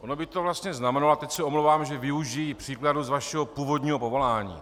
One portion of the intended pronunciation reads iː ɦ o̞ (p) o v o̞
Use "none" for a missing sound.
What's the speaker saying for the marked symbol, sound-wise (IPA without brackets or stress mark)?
p